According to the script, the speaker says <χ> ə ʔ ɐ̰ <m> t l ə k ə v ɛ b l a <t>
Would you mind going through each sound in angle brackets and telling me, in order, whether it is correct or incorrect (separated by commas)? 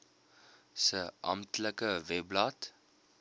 incorrect, correct, correct